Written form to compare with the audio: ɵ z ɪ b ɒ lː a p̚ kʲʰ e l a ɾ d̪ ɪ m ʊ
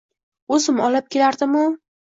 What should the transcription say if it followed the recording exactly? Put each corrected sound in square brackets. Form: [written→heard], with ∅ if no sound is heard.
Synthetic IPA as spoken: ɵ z ɪ [b→m] ɒ [lː→l] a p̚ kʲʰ e l a ɾ d̪ ɪ m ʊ